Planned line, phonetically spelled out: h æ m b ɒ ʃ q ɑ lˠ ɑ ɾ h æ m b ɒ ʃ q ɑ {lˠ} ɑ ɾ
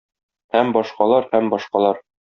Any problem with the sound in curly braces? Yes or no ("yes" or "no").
no